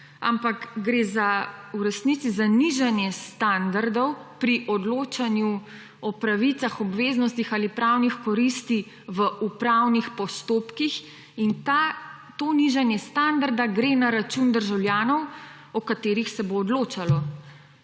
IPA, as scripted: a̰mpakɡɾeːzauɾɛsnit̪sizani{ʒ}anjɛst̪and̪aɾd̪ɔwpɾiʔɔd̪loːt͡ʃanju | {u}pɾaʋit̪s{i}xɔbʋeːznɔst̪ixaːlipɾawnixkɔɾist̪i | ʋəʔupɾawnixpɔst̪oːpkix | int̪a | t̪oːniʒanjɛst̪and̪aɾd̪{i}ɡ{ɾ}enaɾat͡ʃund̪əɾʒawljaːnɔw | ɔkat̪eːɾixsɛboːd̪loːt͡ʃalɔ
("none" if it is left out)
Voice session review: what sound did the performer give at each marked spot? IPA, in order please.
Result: ʒ, ɔ, a, a, ɾ

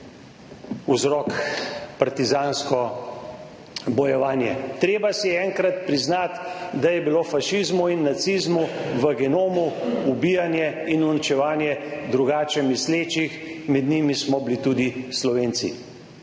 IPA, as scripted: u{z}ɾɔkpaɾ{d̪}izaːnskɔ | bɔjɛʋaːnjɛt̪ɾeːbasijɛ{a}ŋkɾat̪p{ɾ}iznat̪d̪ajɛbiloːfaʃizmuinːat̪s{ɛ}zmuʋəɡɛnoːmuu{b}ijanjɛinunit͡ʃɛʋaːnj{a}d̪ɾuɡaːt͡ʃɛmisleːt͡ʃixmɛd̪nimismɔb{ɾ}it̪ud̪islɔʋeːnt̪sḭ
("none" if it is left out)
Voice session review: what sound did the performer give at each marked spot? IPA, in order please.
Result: z, t̪, ɛ, ɾ, i, b, ɛ, l

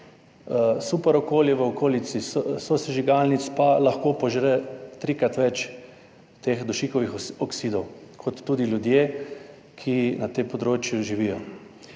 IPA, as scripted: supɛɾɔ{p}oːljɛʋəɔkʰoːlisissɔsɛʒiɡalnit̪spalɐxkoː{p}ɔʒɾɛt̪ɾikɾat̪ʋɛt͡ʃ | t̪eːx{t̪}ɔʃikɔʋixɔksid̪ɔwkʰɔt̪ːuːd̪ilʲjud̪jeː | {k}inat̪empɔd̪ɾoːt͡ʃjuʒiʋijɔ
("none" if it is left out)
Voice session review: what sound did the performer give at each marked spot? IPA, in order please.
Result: k, p, d̪, kʰ

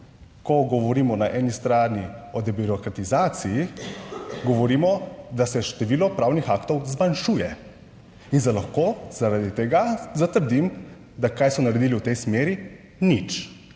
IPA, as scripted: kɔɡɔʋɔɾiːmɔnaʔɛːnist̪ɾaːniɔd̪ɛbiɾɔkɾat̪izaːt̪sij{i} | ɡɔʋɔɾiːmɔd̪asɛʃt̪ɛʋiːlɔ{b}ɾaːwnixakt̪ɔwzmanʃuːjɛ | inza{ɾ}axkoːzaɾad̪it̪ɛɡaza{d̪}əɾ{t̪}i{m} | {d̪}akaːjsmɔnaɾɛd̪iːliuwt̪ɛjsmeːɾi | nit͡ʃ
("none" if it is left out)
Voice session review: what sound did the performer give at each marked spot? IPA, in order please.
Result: i, p, l, t̪, d̪, m, d̪

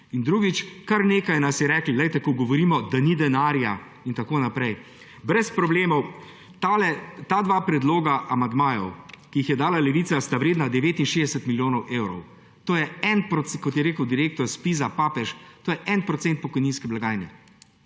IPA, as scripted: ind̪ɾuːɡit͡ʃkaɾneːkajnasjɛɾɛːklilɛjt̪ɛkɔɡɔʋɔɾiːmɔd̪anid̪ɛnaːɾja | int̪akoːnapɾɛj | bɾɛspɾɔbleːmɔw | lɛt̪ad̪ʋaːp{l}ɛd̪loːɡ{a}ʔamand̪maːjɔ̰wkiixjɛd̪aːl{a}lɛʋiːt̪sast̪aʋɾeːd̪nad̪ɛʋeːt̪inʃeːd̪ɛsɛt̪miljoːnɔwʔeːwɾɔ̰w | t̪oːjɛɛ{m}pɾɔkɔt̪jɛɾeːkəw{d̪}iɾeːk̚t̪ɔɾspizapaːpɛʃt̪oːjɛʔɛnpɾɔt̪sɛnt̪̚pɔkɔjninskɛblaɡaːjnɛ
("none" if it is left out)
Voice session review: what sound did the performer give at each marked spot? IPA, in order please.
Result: ɾ, a, a, n, d̪

